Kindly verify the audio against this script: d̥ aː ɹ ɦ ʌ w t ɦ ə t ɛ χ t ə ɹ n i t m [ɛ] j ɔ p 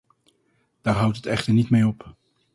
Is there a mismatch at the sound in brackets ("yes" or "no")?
yes